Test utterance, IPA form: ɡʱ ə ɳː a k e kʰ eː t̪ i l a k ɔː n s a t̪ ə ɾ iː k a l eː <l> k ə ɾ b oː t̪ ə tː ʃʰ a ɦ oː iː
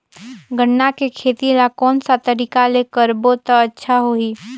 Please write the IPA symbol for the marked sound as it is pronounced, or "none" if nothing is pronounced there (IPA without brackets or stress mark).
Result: none